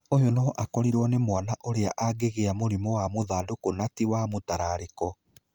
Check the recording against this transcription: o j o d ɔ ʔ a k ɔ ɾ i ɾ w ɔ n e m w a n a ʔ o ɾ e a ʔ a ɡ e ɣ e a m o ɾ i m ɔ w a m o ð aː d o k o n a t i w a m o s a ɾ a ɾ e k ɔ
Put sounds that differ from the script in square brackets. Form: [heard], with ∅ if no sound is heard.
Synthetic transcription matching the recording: o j o [n] ɔ ʔ a k ɔ ɾ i ɾ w ɔ n e m w a n a ʔ o ɾ e a ʔ a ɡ e ɣ e a m o ɾ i m ɔ w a m o ð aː d o k o n a t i w a m o [t] a ɾ a ɾ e k ɔ